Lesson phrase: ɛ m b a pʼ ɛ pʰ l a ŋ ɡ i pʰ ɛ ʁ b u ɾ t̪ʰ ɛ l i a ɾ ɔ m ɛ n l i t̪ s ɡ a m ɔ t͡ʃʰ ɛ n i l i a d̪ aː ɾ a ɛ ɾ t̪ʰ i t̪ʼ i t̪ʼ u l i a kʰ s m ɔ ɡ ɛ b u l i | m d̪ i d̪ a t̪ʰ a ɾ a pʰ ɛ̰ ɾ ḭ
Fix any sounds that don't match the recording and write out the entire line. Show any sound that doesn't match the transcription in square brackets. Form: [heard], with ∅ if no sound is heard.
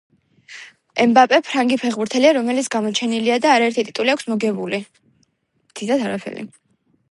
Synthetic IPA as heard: ɛ m b a pʼ ɛ pʰ [ɾ] a ŋ ɡ i pʰ ɛ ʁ b u ɾ t̪ʰ ɛ l i a ɾ ɔ m ɛ [∅] l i t̪ s ɡ a m ɔ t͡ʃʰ ɛ n i l i a d̪ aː ɾ a ɛ ɾ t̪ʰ i t̪ʼ i t̪ʼ u l i a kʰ s m ɔ ɡ ɛ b u l i | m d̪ i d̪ a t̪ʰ a ɾ a pʰ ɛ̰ ɾ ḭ

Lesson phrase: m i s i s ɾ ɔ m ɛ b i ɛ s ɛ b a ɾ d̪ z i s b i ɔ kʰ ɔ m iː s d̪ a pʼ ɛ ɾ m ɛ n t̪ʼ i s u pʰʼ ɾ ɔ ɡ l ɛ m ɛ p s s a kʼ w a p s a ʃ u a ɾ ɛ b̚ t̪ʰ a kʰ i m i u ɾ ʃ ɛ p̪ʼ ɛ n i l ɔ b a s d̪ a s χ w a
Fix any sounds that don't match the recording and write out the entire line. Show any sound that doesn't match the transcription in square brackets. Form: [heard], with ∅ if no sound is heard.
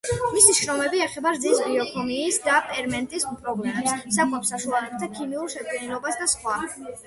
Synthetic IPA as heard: m i s i [ʃ] ɾ ɔ m ɛ b i ɛ [χ] ɛ b a ɾ d̪ z i s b i ɔ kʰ ɔ m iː s d̪ a pʼ ɛ ɾ m ɛ n t̪ʼ i s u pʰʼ ɾ ɔ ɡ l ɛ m ɛ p s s a kʼ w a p s a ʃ u a [l] ɛ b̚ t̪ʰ a kʰ i m i u ɾ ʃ ɛ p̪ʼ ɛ n i l ɔ b a s d̪ a s χ w a

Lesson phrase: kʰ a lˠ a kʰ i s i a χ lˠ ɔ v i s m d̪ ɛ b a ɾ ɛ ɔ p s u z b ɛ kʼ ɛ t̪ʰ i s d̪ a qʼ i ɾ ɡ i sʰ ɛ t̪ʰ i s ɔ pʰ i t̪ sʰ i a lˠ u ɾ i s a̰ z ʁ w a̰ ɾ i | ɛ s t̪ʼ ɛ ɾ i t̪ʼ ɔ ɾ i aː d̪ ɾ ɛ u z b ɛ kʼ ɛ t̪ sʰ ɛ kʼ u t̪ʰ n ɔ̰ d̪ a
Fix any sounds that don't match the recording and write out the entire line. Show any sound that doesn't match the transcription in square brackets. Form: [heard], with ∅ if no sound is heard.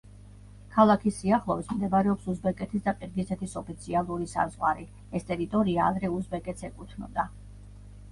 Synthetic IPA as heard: kʰ a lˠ a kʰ i s i a χ lˠ ɔ v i s m d̪ ɛ b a ɾ ɛ ɔ p s u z b ɛ kʼ ɛ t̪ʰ i s d̪ a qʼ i ɾ ɡ i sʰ ɛ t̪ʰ i s ɔ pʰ i t̪ sʰ i a lˠ u ɾ i s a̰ z ʁ w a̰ ɾ i | ɛ s t̪ʼ ɛ ɾ i t̪ʼ ɔ ɾ i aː d̪ ɾ ɛ u z b ɛ kʼ ɛ t̪ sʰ ɛ kʼ u t̪ʰ n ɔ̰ d̪ a

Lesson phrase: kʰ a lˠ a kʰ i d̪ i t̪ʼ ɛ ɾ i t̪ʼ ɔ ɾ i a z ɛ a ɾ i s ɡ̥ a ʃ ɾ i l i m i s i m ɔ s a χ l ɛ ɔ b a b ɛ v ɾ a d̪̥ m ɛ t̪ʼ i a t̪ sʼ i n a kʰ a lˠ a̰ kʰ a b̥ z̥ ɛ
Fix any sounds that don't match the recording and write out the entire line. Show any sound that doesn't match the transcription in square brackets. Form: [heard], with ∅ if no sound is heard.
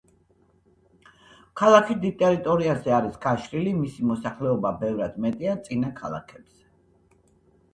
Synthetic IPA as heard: kʰ a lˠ a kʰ i d̪ i t̪ʼ ɛ ɾ i t̪ʼ ɔ ɾ i a z ɛ a ɾ i s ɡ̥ a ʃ ɾ i l i m i s i m ɔ s a χ l ɛ ɔ b a b ɛ v ɾ a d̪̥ m ɛ t̪ʼ i a t̪ sʼ i n a kʰ a lˠ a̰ kʰ [ɛ] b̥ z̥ ɛ

